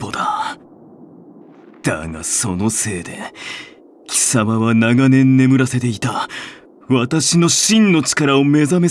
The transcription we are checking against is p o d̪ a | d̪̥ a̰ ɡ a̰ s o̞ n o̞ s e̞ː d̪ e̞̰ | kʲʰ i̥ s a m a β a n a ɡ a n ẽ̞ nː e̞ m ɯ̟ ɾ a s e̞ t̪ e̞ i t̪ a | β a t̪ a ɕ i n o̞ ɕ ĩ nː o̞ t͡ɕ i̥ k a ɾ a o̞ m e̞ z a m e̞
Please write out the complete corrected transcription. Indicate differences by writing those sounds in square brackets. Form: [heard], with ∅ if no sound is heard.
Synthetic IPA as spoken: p o d̪ a | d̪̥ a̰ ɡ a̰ s o̞ n o̞ s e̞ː d̪ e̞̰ | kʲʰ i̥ s a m a β a n a ɡ a n ẽ̞ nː e̞ m ɯ̟ ɾ a s e̞ t̪ e̞ i t̪ a | β a t̪ a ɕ i n o̞ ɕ ĩ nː o̞ t͡ɕ i̥ k a ɾ a o̞ m e̞ z a m e̞